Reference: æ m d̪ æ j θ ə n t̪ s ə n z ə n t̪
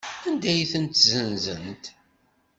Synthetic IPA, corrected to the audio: æ n d̪ æ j θ ə n t̪ z ə n z ə n t̪